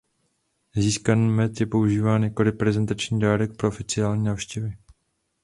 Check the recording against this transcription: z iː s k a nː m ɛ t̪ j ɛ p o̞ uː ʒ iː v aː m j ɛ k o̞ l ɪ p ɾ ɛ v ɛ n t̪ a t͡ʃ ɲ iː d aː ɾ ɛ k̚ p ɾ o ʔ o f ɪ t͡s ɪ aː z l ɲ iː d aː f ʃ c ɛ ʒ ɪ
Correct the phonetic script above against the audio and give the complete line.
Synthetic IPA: z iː s k a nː m ɛ t̪ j ɛ p o̞ u ʒ iː v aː n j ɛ k o̞ l ɪ p ɾ ɛ z ɛ n t̪ a t͡ʃ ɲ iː d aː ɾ ɛ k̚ p ɾ o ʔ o f ɪ t͡s ɪ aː l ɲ iː n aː f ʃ c ɛ v ɪ